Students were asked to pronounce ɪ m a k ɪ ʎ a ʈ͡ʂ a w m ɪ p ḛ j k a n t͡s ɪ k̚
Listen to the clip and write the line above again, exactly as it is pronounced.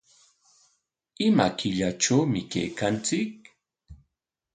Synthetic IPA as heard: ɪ m a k ɪ ʎ a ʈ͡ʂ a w m ɪ k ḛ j k a n t͡s ɪ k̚